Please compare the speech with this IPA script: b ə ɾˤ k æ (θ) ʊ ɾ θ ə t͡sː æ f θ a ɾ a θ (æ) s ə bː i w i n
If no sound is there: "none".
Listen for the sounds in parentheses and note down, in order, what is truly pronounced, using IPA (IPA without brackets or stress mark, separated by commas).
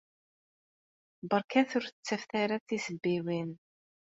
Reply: θ, i